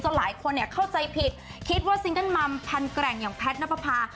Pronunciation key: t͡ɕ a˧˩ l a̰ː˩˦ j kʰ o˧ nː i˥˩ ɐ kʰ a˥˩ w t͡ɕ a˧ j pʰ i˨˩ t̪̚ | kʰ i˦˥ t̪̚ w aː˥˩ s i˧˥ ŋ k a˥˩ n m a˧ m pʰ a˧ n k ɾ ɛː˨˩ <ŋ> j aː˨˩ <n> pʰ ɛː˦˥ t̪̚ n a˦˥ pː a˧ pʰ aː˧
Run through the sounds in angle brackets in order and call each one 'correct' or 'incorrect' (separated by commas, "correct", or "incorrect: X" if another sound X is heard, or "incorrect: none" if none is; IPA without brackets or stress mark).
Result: correct, incorrect: ŋ